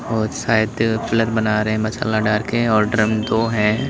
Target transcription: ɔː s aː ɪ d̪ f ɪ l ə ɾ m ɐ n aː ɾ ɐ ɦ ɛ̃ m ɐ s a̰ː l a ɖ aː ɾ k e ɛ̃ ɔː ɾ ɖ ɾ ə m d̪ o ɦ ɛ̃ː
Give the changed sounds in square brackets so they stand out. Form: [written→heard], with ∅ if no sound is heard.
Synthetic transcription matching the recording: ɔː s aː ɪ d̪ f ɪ l ə ɾ [m→b] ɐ n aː ɾ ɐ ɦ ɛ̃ m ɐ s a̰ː l a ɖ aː ɾ k e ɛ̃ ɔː ɾ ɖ ɾ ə m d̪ o ɦ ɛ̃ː